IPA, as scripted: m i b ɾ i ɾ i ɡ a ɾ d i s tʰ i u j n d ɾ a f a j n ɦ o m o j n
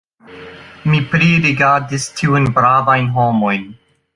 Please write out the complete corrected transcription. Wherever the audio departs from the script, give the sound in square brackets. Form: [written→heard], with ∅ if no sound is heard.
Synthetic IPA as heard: m i [b→p] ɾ i ɾ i ɡ a ɾ d i s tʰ i u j n [d→b] ɾ a [f→v] a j n ɦ o m o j n